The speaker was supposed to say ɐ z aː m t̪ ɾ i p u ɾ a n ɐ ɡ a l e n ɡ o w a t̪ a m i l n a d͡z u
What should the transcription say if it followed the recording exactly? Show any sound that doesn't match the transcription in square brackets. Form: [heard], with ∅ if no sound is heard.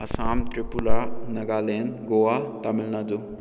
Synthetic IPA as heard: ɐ [s] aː m t̪ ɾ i p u [l] a n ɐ ɡ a l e n ɡ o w a t̪ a m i l n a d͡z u